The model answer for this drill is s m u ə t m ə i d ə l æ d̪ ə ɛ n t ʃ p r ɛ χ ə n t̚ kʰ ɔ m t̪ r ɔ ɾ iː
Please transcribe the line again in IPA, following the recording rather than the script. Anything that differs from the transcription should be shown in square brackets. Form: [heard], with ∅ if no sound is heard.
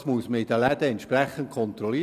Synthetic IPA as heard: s m u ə [s] m ə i d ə l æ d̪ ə ɛ n t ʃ p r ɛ χ ə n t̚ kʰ ɔ [n] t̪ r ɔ [l] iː